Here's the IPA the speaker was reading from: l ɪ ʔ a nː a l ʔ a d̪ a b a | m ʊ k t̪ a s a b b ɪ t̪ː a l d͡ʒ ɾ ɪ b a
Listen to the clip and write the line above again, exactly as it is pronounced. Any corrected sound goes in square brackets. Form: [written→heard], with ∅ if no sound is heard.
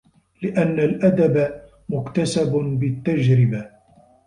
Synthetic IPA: l ɪ ʔ a nː a l ʔ a d̪ a b a | m ʊ k t̪ a s a b b ɪ t̪ː a [l→∅] d͡ʒ ɾ ɪ b a